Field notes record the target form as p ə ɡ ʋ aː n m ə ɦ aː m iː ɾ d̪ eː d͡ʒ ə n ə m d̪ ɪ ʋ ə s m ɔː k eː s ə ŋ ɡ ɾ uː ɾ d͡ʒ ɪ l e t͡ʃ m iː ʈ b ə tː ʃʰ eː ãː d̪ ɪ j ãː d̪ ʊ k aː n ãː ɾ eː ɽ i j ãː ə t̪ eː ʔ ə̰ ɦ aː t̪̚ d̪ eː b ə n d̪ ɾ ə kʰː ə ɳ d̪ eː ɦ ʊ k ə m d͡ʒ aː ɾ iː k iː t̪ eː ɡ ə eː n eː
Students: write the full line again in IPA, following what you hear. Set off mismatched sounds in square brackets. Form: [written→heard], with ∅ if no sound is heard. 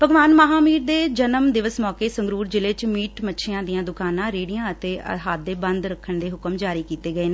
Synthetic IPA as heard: p ə ɡ ʋ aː n m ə ɦ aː m iː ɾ d̪ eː d͡ʒ ə n ə m d̪ ɪ ʋ ə s m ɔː k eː s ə ŋ ɡ ɾ uː ɾ d͡ʒ ɪ l e t͡ʃ m iː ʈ [b→m] ə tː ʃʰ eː ãː d̪ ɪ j ãː d̪ ʊ k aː n ãː ɾ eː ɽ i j ãː ə t̪ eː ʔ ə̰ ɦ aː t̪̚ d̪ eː b ə n d̪ ɾ ə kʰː ə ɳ d̪ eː ɦ ʊ k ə m d͡ʒ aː ɾ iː k iː t̪ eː ɡ ə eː n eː